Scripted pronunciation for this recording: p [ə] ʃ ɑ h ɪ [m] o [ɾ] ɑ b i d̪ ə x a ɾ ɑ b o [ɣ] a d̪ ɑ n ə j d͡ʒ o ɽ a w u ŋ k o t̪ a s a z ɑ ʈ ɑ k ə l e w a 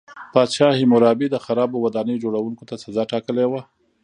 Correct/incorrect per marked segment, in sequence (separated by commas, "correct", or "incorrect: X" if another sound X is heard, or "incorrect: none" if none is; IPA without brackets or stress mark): incorrect: ɑ, correct, correct, incorrect: w